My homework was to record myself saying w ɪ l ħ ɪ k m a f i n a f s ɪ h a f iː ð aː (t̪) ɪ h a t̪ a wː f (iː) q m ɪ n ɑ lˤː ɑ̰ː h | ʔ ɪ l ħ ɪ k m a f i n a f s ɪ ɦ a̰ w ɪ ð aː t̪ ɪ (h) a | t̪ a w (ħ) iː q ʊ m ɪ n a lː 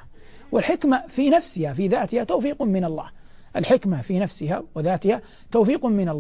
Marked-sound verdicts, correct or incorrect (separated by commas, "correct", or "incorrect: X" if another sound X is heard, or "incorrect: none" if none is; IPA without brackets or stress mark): correct, correct, correct, incorrect: f